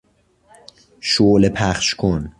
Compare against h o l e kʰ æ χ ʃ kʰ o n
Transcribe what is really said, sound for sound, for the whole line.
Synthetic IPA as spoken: ʃ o l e pʰ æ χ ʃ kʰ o n